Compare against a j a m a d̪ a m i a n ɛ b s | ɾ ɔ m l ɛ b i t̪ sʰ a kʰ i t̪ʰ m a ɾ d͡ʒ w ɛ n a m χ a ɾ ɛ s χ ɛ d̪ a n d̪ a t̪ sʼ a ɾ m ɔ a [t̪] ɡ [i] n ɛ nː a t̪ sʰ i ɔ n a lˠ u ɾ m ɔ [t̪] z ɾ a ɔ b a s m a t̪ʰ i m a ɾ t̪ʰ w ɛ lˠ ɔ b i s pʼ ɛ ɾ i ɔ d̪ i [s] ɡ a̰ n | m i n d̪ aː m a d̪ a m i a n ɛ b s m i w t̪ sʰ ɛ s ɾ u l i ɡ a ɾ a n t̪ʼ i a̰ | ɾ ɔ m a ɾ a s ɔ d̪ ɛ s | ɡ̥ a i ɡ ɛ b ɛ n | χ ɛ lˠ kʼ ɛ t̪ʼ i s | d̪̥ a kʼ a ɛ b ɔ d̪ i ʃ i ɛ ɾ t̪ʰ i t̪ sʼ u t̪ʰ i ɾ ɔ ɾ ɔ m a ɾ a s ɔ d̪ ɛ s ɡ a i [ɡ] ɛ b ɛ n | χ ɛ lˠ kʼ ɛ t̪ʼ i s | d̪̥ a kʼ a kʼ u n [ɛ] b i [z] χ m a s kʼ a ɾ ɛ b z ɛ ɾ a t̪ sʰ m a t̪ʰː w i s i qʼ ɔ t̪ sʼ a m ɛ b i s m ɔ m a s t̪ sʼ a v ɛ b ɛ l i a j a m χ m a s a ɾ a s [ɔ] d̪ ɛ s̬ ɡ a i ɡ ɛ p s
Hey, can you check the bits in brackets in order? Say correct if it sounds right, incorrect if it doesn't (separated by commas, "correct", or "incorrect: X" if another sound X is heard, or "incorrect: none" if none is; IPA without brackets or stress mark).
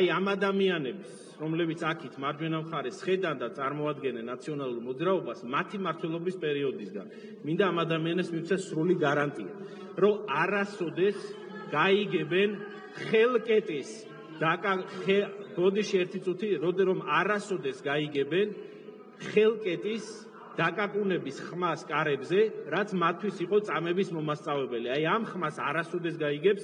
incorrect: d̪, incorrect: ɛ, incorrect: d̪, correct, correct, correct, incorrect: s, correct